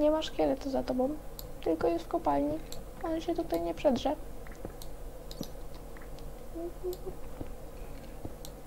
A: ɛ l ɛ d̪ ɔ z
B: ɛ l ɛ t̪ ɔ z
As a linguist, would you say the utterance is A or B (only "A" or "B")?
B